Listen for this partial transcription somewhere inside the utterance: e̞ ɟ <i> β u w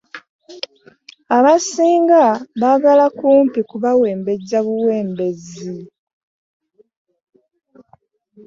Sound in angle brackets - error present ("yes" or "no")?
yes